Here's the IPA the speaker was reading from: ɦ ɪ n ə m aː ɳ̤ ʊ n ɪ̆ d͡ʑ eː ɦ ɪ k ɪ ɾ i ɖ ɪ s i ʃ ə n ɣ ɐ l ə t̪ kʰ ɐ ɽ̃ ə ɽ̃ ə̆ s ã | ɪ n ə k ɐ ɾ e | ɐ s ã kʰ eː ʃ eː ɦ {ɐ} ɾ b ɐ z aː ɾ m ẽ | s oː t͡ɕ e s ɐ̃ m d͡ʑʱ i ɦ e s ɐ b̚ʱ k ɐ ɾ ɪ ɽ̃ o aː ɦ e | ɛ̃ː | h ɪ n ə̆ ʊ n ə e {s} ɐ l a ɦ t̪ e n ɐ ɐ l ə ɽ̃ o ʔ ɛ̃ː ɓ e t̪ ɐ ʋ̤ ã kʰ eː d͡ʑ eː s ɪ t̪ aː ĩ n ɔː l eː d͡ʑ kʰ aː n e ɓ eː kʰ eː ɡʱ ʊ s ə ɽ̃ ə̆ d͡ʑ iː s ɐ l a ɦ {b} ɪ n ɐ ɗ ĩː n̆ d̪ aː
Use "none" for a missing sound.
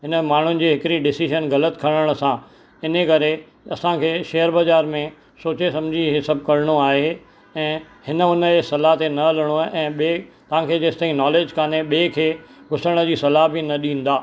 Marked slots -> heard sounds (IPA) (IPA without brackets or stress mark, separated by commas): ə, s, b